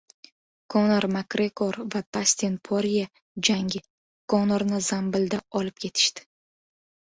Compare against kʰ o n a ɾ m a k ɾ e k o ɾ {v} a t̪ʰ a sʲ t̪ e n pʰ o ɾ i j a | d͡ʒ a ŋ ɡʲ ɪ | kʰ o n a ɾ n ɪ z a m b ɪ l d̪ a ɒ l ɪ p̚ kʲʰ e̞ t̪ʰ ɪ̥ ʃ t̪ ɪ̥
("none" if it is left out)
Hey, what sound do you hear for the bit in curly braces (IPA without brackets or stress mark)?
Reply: v